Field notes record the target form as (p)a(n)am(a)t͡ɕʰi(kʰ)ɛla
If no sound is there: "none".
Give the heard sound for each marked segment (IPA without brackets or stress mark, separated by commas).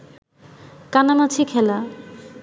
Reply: k, n, a, kʰ